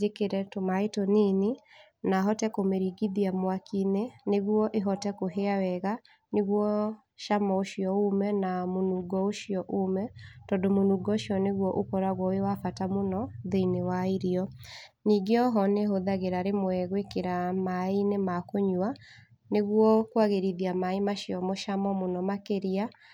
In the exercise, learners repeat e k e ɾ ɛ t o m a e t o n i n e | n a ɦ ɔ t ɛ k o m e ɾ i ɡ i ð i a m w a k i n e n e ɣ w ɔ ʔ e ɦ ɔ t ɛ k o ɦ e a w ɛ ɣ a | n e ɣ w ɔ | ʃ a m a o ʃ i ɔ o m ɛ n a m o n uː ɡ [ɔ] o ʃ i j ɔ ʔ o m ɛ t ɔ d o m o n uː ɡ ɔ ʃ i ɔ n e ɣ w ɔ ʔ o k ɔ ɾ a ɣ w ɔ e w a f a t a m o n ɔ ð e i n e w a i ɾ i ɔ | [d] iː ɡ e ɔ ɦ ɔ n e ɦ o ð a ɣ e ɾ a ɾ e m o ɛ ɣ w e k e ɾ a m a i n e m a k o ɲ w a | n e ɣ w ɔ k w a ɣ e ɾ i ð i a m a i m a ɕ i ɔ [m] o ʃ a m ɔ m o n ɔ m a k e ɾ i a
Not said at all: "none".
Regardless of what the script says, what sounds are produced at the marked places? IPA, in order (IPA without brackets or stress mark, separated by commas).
ɔ, n, m